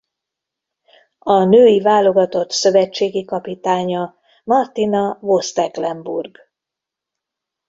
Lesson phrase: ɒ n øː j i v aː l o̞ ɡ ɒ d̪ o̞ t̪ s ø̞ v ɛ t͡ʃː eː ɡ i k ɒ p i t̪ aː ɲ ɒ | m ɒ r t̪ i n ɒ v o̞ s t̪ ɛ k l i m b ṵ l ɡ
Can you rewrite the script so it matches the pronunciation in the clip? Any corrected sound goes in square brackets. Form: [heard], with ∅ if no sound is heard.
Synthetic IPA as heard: ɒ n øː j i v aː l o̞ ɡ ɒ [t̪] o̞ t̪ s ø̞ v ɛ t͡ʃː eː ɡ i k ɒ p i t̪ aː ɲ ɒ | m ɒ r t̪ i n ɒ v o̞ s t̪ ɛ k l [ɛ] m b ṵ [r] ɡ